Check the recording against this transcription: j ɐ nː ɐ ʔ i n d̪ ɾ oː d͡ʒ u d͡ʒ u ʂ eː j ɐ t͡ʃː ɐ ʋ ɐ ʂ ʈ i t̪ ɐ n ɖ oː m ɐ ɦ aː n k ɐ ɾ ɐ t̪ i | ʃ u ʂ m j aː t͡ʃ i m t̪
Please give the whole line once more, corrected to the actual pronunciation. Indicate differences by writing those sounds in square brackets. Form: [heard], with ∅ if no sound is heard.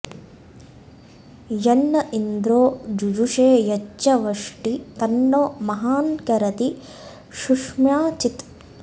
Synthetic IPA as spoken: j ɐ nː ɐ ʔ i n d̪ ɾ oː d͡ʒ u d͡ʒ u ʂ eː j ɐ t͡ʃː ɐ ʋ ɐ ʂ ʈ i t̪ ɐ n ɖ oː m ɐ ɦ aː n k ɐ ɾ ɐ t̪ i | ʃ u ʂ m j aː t͡ʃ i [∅] t̪